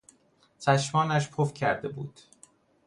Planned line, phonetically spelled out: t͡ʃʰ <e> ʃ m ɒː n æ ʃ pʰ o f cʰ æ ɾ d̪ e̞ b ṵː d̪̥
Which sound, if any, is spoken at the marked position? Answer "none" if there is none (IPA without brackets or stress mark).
æ